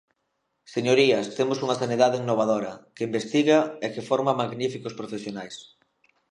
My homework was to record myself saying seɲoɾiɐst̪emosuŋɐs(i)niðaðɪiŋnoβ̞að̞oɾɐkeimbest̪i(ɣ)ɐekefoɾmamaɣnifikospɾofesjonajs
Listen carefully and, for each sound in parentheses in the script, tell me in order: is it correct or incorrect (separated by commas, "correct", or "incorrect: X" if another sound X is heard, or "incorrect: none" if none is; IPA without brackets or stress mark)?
incorrect: a, correct